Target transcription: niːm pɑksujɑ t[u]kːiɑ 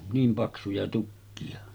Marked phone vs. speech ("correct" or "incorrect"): correct